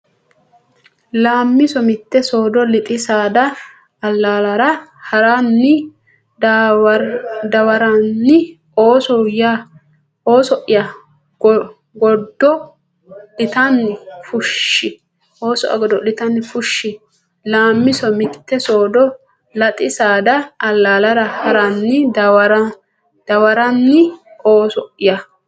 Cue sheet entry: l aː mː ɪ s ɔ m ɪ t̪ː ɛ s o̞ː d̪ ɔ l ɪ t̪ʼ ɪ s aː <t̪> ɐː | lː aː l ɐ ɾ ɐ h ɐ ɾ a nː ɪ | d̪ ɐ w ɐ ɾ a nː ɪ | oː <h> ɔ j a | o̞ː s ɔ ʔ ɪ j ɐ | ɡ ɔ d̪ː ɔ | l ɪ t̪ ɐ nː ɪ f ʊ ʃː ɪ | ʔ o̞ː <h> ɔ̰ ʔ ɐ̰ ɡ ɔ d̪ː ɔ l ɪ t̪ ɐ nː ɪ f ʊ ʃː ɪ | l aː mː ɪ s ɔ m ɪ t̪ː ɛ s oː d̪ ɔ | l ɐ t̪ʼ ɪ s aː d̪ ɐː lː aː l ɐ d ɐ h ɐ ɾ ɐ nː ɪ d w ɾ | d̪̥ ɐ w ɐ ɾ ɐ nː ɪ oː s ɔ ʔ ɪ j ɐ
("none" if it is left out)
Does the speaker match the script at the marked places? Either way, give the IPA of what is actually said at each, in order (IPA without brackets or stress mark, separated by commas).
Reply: d̪, s, s